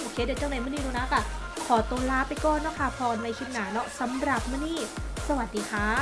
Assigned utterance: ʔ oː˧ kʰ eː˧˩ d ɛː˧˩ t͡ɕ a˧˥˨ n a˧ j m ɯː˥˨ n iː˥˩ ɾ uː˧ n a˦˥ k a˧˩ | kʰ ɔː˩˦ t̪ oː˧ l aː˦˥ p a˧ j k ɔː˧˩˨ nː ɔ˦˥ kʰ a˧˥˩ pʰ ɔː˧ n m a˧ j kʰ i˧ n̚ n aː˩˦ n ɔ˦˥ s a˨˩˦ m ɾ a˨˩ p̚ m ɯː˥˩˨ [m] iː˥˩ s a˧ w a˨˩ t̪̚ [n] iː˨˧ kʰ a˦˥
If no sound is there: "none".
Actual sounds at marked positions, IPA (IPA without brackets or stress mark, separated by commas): n, d